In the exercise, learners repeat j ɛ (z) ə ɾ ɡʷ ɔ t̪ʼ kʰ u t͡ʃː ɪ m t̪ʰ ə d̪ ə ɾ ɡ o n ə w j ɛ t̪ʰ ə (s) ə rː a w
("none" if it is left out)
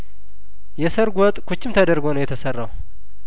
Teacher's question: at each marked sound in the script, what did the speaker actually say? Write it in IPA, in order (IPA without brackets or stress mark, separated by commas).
s, s